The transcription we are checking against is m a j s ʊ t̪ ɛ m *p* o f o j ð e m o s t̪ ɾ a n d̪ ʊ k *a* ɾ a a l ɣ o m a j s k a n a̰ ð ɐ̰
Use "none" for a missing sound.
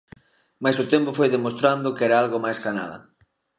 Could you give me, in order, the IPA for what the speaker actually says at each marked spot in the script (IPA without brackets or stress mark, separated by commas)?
p, ɛ